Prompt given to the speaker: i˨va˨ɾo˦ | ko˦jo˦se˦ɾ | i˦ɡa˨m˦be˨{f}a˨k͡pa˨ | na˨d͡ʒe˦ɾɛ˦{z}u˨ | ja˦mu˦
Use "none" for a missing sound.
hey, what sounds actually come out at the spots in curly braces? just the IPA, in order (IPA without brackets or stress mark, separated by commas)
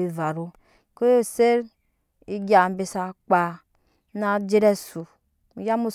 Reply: s, s